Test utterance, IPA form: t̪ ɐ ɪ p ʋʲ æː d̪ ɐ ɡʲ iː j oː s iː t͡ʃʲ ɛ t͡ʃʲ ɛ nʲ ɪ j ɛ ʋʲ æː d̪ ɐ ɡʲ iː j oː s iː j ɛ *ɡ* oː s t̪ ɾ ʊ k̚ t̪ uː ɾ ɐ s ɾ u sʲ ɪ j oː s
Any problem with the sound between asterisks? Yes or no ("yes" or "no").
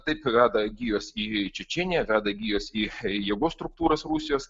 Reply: no